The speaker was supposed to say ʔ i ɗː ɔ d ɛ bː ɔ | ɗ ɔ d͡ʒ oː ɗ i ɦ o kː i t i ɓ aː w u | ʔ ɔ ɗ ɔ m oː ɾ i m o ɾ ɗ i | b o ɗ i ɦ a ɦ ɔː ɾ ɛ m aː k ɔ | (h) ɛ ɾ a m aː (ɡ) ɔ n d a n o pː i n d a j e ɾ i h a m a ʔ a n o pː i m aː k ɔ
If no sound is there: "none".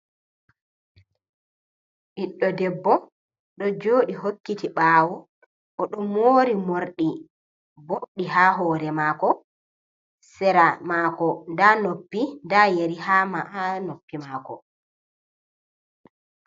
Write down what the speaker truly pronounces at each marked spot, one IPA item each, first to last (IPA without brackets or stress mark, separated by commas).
s, k